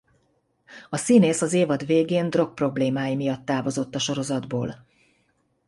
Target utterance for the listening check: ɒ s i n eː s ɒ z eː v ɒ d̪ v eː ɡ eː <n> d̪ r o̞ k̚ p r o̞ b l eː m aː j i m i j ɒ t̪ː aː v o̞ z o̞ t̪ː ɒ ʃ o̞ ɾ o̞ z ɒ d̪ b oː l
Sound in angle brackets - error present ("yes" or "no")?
no